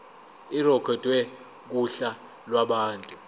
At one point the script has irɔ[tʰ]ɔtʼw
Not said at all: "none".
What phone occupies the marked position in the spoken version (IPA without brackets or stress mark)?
kʰ